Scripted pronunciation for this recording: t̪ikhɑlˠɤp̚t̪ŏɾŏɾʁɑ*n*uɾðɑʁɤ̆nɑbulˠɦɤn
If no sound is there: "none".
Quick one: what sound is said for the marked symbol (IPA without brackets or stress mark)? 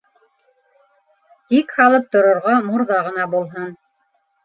m